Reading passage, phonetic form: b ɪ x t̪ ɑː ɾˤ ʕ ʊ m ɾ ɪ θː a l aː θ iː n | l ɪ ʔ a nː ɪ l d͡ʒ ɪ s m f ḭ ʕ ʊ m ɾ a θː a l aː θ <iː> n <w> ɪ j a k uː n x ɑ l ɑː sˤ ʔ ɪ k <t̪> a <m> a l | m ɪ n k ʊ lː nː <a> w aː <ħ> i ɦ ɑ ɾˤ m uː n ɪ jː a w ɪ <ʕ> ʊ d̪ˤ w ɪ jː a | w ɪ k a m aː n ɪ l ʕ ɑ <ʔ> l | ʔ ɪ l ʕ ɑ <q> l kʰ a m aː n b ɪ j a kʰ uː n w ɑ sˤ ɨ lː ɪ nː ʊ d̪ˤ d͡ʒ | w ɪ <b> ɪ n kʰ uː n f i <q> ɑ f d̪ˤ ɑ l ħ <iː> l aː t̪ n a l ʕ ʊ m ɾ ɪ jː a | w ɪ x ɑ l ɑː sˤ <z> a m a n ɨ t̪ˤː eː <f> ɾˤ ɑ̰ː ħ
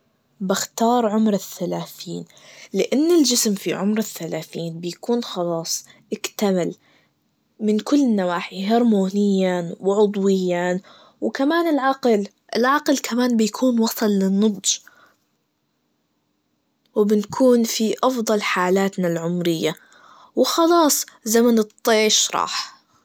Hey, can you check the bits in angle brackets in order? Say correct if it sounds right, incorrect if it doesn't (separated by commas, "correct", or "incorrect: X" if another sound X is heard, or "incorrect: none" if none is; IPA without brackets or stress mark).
correct, incorrect: b, correct, correct, correct, correct, correct, incorrect: q, correct, correct, incorrect: ʔ, incorrect: aː, correct, incorrect: ʃ